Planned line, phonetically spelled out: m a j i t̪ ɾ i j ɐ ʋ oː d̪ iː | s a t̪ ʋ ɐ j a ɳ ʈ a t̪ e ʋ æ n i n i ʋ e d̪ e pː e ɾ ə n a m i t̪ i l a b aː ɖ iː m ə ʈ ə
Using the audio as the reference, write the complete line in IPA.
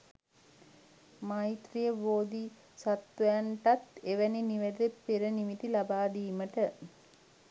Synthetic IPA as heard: m a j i t̪ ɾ i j ə ʋ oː d̪ i | s a t̪ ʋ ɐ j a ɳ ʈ a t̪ e ʋ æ n i n i ʋ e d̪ e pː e ɾ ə n i m i t̪ i l a b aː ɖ iː m ə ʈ ə